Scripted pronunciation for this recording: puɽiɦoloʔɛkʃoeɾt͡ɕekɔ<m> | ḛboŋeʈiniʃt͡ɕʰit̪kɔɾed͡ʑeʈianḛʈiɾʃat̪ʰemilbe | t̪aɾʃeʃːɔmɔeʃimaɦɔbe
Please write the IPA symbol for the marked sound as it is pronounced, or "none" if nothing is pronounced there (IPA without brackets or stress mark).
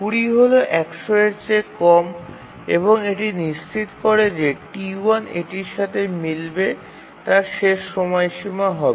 m